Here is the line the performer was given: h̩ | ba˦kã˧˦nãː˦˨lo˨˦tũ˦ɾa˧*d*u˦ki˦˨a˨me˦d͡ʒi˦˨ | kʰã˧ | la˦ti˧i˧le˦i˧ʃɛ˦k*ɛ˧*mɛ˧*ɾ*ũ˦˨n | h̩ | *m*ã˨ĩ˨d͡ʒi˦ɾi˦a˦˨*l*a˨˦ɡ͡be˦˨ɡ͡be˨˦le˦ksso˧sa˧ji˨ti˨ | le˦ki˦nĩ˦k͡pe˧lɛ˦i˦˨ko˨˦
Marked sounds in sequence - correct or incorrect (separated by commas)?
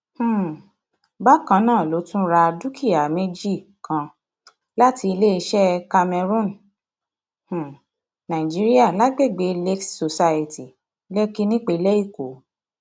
correct, incorrect, correct, incorrect, correct